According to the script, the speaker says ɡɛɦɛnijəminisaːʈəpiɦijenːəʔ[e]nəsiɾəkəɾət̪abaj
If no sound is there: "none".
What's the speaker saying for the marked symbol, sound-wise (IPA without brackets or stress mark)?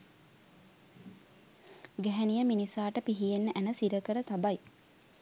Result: æ